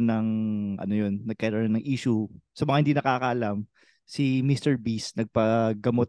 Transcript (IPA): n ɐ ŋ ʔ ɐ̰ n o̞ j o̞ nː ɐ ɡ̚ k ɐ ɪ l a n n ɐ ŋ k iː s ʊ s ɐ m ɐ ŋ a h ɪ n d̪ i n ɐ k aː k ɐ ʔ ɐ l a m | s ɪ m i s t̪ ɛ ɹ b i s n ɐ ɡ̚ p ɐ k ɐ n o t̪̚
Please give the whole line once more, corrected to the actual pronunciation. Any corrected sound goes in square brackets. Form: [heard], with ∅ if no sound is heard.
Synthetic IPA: n ɐ ŋ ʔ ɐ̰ n o̞ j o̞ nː ɐ ɡ̚ k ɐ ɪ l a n n ɐ ŋ [ʔ] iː [ʃ] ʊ s ɐ m ɐ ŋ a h ɪ n d̪ i n ɐ k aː k ɐ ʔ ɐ l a m | s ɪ m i s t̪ ɛ ɹ b i s n ɐ ɡ̚ p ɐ [ɡ] ɐ [m] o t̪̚